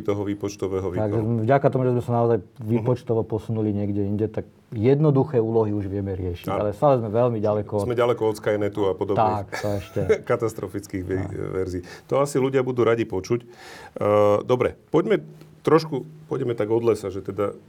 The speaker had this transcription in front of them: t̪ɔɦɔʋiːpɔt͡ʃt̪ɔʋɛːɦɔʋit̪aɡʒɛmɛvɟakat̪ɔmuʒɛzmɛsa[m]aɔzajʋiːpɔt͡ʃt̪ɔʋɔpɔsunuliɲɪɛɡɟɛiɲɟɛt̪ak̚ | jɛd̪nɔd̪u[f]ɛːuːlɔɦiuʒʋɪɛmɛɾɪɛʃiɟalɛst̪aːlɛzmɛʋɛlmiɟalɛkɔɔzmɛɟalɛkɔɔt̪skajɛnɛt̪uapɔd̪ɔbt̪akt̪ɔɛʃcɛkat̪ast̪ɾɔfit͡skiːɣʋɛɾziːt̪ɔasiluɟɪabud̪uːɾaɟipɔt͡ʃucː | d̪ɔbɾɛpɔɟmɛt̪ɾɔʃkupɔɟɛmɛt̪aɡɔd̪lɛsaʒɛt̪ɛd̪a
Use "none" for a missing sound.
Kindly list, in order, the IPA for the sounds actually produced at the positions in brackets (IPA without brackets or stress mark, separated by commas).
n, x